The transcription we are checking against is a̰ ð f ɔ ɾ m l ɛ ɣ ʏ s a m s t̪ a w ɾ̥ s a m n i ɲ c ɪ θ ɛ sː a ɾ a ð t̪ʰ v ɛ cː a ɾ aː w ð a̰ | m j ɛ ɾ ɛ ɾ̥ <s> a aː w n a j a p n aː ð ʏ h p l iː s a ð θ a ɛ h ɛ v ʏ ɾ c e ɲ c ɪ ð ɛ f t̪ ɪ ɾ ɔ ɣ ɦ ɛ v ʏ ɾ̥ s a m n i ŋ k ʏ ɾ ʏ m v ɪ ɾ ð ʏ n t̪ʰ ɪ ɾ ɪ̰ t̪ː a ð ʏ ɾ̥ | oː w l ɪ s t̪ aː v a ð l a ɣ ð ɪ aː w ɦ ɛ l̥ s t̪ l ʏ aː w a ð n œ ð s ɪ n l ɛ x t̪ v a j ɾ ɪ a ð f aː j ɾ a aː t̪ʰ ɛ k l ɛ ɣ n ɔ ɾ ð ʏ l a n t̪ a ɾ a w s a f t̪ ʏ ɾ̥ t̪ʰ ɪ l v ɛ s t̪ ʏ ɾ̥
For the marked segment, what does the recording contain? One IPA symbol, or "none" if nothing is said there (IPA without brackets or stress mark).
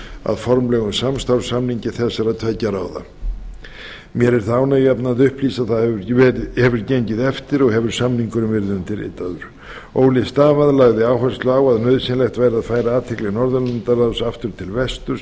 θ